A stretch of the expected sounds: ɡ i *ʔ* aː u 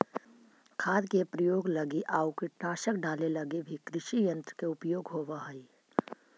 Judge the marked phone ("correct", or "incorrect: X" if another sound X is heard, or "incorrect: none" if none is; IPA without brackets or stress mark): correct